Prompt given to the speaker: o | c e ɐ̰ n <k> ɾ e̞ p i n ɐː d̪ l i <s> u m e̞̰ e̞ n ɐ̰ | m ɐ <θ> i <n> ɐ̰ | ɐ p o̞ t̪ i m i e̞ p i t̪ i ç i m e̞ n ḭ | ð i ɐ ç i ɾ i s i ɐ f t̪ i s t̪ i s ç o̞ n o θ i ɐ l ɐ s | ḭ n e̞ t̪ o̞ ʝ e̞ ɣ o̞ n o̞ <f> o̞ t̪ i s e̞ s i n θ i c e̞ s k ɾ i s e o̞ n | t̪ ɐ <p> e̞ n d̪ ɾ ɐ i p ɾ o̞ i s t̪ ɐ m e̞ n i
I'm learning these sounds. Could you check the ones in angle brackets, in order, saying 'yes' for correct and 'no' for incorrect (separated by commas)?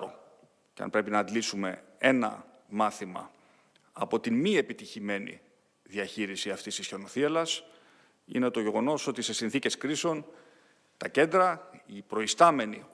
no, yes, yes, no, no, no